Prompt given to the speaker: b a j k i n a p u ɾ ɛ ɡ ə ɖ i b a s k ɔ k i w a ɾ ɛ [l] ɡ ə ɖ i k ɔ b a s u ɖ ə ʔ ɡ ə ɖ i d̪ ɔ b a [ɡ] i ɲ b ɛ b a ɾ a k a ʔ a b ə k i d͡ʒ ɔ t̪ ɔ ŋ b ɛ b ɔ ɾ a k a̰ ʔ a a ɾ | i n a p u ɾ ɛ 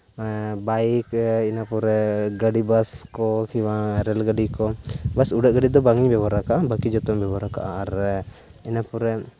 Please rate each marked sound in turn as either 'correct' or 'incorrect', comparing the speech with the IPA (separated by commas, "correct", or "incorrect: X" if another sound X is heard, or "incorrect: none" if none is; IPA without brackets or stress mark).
correct, incorrect: ŋ